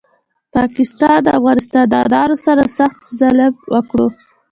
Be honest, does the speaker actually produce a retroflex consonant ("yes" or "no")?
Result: yes